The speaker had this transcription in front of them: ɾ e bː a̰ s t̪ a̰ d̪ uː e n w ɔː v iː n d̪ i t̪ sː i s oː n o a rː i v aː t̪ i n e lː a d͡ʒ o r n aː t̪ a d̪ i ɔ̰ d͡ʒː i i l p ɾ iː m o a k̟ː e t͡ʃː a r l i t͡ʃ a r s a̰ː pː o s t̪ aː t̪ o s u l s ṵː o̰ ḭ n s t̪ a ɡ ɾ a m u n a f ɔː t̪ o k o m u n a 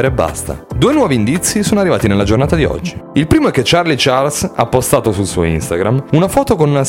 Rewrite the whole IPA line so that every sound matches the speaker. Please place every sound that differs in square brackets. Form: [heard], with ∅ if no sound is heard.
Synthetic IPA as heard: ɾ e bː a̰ s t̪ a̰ d̪ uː e n w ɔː v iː n d̪ i t̪ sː i s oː n o a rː i v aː t̪ i n e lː a d͡ʒ o r n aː t̪ a d̪ i ɔ̰ d͡ʒː i i l p ɾ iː m o [ɛ] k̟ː e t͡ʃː a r l i t͡ʃ a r s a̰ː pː o s t̪ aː t̪ o s u l s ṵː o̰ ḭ n s t̪ a ɡ ɾ a m u n a f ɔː t̪ o k o [n] u n a